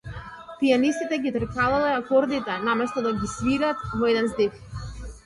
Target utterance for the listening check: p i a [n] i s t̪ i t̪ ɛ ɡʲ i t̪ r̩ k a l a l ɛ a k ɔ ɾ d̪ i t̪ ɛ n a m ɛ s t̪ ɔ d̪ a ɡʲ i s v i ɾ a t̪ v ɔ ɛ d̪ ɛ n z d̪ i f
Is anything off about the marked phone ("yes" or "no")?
no